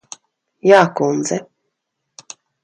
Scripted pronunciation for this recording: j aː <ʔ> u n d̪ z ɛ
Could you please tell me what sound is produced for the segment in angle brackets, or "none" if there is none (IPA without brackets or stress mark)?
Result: k